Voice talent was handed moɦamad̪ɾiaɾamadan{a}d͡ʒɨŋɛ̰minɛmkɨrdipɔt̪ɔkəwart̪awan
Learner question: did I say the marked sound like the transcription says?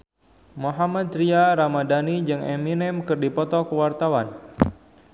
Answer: no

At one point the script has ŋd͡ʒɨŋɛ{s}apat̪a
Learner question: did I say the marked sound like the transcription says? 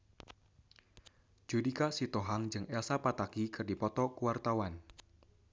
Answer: yes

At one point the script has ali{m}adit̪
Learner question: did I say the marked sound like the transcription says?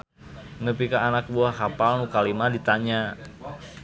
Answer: yes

